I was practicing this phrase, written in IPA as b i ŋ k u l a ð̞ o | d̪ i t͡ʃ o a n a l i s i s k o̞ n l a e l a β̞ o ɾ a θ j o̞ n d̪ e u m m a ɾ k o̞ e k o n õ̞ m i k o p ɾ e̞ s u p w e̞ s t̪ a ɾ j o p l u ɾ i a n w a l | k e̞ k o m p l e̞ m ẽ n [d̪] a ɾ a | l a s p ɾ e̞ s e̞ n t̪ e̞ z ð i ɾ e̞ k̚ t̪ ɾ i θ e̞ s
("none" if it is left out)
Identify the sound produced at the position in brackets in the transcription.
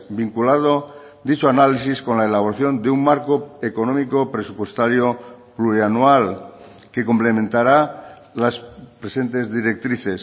t̪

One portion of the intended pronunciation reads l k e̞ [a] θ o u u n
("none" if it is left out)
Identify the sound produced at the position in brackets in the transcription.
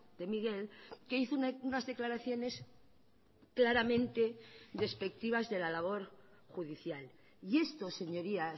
i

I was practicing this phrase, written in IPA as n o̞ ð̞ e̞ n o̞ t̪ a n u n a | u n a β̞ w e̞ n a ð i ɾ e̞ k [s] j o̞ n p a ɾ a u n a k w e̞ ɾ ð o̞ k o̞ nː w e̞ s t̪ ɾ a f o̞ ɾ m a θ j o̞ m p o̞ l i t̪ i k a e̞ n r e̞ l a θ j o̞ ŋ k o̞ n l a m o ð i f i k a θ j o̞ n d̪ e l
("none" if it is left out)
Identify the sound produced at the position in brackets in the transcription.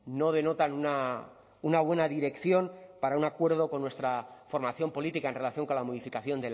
θ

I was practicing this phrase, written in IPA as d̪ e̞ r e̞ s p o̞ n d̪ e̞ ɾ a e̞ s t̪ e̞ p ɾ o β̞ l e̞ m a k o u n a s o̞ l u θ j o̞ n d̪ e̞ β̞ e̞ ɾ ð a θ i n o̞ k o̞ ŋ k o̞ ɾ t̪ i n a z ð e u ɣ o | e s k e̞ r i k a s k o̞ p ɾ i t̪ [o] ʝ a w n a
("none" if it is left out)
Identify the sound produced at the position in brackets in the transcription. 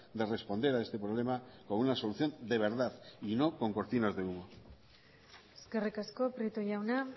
o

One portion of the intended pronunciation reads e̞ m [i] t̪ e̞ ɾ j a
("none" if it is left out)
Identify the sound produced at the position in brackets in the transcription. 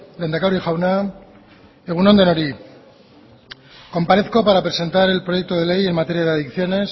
a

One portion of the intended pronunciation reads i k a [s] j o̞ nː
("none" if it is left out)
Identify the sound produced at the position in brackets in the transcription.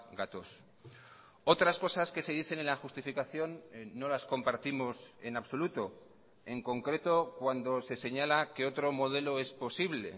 θ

